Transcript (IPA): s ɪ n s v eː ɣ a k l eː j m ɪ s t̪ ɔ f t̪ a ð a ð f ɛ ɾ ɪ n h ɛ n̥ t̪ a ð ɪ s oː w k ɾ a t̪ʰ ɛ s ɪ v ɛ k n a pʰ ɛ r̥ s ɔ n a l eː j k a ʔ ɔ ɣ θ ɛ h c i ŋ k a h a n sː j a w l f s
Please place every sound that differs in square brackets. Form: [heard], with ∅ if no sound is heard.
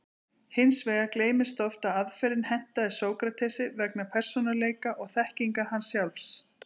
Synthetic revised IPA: [h] ɪ n s v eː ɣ a k l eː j m ɪ s t̪ ɔ f t̪ a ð a ð f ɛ ɾ ɪ n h ɛ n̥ t̪ a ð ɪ s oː w k ɾ a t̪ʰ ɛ s ɪ v ɛ k n a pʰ ɛ r̥ s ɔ n a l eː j k a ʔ ɔ ɣ θ ɛ h c i ŋ k a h a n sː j a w l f s